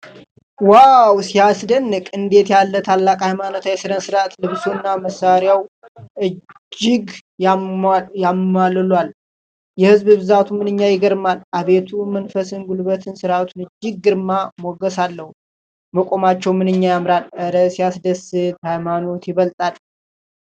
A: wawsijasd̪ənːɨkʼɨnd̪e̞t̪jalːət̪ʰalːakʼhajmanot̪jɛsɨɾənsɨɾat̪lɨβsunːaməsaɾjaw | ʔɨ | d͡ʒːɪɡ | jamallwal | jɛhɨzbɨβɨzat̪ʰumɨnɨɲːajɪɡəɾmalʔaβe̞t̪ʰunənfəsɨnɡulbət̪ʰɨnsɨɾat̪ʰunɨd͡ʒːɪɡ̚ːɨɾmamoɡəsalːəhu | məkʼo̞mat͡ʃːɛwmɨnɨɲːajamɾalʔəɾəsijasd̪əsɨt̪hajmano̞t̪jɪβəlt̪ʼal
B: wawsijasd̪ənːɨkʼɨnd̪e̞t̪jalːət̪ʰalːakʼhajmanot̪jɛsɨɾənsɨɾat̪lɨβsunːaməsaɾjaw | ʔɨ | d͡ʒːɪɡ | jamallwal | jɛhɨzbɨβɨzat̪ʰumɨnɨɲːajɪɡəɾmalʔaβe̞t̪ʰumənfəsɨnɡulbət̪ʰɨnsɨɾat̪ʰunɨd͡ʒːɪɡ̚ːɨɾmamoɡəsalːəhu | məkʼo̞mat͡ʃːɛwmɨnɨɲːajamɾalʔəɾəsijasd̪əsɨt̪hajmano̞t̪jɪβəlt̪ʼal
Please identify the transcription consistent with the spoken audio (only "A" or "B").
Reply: B